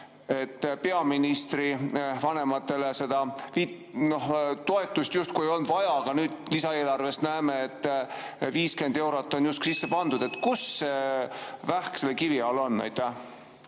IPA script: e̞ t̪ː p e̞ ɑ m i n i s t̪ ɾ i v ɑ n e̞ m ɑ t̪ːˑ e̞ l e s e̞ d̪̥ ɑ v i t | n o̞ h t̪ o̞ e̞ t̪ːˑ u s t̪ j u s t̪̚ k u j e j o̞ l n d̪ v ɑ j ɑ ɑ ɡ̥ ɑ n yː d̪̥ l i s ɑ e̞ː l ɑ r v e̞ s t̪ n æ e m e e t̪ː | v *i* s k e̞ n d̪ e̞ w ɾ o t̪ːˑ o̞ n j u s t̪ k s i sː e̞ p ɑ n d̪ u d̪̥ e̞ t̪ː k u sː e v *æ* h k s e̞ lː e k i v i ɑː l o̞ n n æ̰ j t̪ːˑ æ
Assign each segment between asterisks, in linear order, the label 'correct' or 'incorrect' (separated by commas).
incorrect, correct